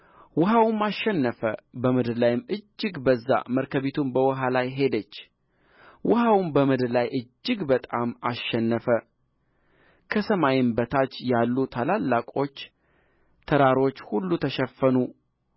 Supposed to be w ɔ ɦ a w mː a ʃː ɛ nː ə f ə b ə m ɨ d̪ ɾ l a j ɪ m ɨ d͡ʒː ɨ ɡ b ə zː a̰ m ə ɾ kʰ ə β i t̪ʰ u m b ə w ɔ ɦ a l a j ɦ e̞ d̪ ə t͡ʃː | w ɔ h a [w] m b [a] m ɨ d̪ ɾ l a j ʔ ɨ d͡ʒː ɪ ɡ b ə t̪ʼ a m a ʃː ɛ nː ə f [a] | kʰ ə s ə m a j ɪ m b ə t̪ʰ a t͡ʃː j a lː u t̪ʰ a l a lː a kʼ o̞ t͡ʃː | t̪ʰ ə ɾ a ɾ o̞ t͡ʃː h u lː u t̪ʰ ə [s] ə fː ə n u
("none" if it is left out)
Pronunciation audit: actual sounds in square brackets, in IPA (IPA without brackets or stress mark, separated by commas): w, ə, ə, ʃ